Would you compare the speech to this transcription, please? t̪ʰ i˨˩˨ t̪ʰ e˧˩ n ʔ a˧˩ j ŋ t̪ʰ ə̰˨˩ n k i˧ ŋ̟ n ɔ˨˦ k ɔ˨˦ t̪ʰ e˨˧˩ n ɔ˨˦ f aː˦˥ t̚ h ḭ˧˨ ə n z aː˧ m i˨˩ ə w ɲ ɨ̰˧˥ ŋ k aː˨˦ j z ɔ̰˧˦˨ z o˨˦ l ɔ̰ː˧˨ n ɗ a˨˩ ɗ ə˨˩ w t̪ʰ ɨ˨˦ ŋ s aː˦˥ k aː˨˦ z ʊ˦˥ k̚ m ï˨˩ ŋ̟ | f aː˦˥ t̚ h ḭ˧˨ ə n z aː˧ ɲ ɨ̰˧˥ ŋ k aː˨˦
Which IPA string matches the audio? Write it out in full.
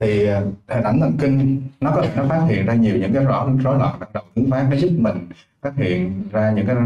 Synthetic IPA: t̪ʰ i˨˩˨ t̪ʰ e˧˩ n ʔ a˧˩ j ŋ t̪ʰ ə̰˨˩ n k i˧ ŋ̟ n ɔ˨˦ k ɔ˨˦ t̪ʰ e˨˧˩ n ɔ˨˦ f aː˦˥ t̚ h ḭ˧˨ ə n z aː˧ ɲ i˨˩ ə w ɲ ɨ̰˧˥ ŋ k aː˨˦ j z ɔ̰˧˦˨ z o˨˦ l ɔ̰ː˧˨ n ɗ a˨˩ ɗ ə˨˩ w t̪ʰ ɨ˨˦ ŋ f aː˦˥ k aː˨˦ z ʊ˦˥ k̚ m ï˨˩ ŋ̟ | f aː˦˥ t̚ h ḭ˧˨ ə n z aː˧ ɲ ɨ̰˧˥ ŋ k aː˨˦